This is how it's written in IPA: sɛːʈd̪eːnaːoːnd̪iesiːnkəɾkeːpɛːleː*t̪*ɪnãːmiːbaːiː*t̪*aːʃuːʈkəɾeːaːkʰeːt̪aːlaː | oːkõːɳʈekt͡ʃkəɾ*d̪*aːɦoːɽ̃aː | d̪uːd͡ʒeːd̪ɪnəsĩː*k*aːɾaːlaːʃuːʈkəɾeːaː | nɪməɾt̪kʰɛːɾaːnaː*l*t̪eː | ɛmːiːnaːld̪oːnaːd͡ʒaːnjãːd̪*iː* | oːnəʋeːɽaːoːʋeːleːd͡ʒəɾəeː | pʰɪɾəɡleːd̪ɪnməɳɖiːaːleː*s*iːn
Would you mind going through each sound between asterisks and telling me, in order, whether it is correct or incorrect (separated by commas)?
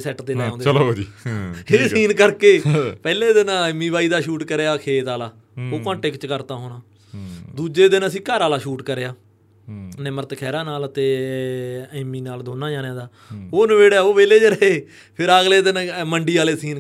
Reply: incorrect, incorrect, incorrect, correct, correct, incorrect, correct